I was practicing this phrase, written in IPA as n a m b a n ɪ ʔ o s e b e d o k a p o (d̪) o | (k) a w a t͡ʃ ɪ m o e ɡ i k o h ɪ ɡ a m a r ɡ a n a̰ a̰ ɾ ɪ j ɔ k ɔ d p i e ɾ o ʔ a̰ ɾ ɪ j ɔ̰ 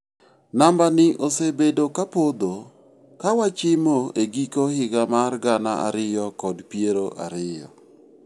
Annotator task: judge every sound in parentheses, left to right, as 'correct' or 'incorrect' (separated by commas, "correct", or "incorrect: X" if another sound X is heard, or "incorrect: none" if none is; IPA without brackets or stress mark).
correct, correct